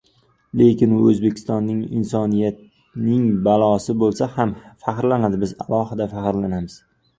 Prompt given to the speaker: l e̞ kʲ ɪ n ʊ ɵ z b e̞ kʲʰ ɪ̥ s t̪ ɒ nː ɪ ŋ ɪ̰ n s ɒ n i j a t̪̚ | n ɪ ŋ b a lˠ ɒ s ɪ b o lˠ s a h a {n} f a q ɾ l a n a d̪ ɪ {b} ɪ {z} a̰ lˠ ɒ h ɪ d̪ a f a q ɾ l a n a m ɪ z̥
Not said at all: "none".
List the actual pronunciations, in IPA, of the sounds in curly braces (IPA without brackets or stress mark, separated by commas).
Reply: m, b, z